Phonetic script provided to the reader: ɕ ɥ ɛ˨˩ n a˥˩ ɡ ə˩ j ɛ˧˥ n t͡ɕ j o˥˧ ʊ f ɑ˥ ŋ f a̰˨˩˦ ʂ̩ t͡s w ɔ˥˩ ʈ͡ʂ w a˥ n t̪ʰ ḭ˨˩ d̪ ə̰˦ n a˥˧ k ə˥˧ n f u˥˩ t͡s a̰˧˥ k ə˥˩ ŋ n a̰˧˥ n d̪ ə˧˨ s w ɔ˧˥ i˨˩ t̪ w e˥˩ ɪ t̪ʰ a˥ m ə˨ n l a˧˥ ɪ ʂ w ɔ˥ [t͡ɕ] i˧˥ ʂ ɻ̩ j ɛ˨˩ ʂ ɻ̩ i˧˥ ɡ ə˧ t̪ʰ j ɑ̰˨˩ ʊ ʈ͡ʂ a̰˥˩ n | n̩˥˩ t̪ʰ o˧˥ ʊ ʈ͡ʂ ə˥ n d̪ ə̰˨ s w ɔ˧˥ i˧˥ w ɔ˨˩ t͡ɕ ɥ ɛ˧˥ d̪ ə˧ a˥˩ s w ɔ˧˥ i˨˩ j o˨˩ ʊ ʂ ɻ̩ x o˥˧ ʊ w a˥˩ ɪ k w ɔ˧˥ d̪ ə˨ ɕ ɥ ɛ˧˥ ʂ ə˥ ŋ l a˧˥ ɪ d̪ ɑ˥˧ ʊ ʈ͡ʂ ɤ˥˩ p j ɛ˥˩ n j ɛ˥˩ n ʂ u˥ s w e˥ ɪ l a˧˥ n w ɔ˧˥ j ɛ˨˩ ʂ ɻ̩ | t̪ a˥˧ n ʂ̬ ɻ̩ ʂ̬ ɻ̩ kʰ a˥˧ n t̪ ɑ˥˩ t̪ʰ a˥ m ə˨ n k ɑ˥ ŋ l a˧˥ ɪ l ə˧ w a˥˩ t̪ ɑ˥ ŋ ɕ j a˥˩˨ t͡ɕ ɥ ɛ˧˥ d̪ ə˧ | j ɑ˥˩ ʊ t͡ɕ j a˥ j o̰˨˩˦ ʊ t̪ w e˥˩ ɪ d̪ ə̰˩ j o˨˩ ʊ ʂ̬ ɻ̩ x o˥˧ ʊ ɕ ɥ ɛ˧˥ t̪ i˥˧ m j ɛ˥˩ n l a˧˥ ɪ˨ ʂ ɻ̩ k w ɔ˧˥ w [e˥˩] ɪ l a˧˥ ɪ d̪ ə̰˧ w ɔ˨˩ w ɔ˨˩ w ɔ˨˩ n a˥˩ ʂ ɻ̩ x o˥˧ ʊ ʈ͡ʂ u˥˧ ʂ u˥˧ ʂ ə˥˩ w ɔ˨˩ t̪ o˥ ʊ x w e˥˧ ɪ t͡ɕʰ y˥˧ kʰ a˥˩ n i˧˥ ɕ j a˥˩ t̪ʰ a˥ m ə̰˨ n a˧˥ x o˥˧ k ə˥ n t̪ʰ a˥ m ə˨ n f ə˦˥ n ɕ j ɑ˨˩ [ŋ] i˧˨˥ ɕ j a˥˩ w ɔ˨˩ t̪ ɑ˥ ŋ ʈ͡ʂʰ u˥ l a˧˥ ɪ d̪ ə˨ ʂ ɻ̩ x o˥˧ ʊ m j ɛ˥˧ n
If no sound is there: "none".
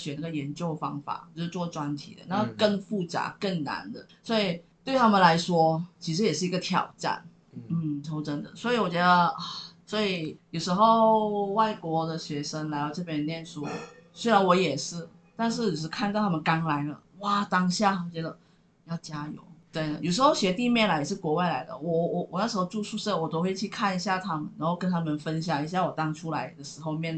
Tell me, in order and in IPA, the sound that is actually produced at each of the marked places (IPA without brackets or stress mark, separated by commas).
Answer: t͡ɕʰ, a˥˩, ŋ